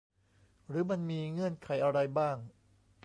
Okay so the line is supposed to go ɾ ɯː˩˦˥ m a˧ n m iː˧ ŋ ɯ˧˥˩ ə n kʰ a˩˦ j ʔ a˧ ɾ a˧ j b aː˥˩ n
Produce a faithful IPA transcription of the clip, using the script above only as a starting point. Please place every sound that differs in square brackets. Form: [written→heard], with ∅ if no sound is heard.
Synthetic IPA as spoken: ɾ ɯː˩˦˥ m a˧ n m iː˧ ŋ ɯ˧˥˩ ə n kʰ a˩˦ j ʔ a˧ ɾ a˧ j b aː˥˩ [n→ŋ]